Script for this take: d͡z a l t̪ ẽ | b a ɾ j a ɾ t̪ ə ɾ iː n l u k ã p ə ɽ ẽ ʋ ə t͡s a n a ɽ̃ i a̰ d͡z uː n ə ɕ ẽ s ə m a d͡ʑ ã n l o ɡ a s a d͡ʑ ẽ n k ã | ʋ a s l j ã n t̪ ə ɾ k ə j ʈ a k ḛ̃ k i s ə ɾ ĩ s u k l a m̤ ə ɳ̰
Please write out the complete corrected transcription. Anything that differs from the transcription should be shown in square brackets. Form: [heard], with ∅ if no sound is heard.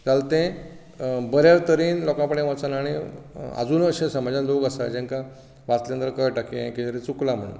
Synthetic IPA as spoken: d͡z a l t̪ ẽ | b [ə] ɾ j a ɾ t̪ ə ɾ iː n l [ɔ] k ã p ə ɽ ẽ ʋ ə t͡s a n a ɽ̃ i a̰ d͡z uː n ə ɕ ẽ s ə m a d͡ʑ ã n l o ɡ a s a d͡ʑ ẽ [ŋ] k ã | ʋ a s l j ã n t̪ ə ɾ k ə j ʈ a k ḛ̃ k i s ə ɾ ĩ [t͡s] u k l a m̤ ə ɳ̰